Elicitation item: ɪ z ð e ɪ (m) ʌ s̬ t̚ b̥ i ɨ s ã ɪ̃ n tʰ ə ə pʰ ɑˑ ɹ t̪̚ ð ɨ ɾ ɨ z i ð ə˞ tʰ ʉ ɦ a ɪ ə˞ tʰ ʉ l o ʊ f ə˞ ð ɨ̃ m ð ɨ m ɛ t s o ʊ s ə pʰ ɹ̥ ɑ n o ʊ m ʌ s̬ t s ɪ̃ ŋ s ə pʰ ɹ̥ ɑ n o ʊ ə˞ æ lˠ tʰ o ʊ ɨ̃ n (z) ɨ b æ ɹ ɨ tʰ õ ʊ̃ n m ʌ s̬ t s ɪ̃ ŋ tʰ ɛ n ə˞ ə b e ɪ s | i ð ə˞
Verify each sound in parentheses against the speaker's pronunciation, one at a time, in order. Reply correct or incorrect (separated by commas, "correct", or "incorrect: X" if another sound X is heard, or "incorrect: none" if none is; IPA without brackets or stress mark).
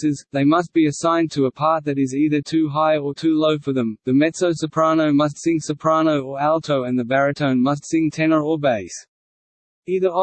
correct, incorrect: ð